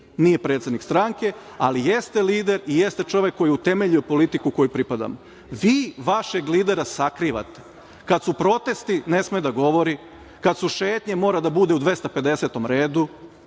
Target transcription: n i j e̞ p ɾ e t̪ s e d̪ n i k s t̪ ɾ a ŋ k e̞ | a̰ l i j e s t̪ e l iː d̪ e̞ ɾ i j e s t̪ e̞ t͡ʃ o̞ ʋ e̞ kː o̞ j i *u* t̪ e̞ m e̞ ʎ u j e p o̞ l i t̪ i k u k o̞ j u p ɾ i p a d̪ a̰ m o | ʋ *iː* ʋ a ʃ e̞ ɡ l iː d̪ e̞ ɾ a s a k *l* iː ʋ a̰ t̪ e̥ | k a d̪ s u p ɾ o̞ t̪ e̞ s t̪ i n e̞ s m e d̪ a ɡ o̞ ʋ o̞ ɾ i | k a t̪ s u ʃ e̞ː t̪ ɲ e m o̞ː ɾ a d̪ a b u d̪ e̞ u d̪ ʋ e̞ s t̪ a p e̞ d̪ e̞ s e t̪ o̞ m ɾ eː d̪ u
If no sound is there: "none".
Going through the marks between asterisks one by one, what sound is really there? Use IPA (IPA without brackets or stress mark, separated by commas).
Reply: u, iː, ɾ